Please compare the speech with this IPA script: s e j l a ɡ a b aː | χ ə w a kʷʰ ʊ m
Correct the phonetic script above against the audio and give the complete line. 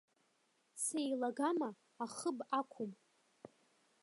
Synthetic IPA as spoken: s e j l a ɡ a m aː | χ ə b a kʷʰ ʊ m